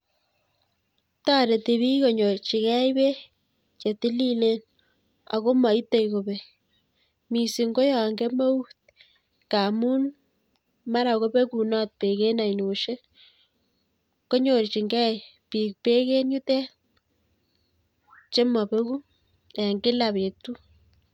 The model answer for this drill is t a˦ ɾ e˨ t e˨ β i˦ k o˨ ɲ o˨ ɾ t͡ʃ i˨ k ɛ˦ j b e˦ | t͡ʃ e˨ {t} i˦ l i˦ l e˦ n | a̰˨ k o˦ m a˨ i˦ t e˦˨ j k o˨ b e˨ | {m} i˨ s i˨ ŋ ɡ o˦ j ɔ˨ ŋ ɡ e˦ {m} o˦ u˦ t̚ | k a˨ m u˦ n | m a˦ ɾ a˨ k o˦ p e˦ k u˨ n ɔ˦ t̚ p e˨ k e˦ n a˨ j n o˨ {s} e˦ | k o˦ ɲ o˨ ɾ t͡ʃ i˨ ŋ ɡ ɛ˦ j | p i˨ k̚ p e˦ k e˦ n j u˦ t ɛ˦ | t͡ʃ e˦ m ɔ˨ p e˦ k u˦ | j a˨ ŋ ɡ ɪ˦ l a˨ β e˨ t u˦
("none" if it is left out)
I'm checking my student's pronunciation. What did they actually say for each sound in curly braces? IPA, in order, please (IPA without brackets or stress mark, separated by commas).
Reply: t, m, m, ʃ